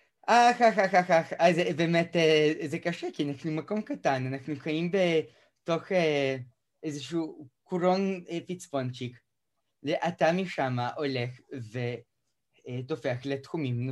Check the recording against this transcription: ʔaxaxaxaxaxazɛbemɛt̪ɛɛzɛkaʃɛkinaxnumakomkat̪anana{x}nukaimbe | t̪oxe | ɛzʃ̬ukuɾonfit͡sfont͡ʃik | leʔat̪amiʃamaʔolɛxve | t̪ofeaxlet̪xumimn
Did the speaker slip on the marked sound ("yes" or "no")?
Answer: no